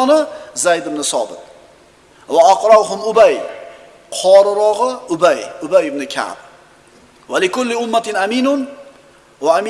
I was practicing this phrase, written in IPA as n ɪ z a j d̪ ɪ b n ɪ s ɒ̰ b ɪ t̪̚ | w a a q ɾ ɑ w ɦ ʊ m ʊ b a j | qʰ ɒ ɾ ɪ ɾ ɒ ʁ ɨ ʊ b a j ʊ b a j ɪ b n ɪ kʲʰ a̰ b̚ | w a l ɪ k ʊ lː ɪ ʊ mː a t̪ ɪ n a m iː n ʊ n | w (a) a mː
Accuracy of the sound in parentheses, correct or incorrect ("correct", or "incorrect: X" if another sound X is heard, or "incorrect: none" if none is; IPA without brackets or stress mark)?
correct